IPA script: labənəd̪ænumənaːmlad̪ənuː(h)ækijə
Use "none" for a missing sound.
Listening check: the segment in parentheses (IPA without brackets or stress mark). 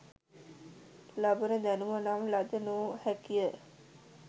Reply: h